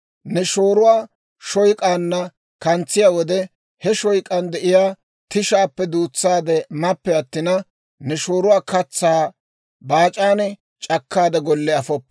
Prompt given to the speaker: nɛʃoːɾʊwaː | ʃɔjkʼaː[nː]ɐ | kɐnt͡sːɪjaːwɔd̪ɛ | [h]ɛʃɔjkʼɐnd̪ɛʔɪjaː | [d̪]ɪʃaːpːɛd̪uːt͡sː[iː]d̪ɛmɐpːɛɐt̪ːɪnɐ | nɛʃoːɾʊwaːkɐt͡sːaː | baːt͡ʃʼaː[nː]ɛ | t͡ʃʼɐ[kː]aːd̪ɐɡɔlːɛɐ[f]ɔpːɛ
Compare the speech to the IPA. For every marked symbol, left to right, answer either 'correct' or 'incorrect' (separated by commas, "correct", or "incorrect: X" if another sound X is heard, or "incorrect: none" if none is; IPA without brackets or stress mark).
correct, correct, incorrect: t̪, incorrect: aː, incorrect: n, correct, correct